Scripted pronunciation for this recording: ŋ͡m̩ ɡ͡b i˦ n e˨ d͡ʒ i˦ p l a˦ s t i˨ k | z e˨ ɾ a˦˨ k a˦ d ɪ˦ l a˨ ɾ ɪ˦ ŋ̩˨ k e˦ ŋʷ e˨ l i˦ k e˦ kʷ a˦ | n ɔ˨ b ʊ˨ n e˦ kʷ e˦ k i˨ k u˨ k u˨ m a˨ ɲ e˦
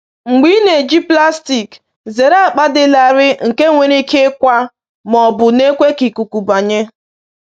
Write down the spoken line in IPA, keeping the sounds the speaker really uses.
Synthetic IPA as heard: ŋ͡m̩ ɡ͡b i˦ n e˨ d͡ʒ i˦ p l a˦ s t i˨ k | z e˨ ɾ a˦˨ k͡p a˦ d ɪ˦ l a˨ ɾ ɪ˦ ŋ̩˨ k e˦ ŋʷ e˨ ɾ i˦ k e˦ kʷ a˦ | m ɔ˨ b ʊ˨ n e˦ kʷ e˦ k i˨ k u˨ k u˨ b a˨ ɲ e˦